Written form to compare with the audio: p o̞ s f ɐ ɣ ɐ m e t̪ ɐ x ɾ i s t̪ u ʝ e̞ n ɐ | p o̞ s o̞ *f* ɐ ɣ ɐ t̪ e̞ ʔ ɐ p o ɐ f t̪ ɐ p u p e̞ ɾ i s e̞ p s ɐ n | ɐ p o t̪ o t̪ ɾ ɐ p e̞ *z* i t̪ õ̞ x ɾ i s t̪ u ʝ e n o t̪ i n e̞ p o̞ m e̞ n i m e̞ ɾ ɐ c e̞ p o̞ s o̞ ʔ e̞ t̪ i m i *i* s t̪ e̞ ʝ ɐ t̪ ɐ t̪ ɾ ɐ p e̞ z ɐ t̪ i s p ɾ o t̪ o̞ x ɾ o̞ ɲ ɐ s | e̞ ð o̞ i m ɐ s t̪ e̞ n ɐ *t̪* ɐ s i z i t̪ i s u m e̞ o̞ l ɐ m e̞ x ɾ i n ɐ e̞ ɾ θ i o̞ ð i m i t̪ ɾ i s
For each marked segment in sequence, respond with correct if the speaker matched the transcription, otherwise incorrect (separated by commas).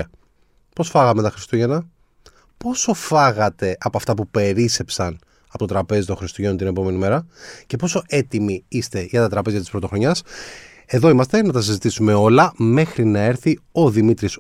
correct, correct, correct, correct